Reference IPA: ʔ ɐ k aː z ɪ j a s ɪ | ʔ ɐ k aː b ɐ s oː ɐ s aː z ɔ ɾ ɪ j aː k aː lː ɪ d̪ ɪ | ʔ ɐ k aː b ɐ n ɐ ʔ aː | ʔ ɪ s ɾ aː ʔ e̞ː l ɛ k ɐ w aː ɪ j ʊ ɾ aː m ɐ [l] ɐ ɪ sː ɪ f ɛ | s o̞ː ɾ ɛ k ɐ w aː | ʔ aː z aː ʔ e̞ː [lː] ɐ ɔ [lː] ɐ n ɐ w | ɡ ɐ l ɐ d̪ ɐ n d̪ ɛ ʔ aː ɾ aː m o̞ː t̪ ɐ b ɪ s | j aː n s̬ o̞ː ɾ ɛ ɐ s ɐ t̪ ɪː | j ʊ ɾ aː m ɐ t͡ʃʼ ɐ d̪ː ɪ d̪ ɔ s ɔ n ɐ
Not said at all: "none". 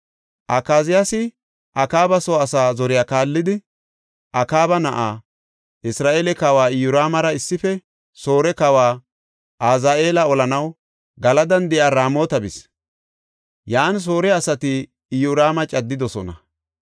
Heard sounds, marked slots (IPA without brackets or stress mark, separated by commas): ɾ, l, l